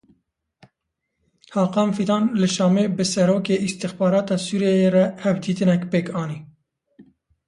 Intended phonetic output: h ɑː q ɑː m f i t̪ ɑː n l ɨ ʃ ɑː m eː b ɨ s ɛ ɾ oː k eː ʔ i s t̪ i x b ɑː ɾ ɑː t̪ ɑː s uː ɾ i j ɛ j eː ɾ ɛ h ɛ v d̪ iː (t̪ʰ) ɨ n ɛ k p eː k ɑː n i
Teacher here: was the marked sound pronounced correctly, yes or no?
no